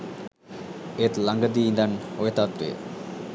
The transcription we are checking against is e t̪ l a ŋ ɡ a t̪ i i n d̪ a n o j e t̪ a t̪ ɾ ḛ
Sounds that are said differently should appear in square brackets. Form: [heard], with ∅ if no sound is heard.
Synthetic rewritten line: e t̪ l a ŋ ɡ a [d̪] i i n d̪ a n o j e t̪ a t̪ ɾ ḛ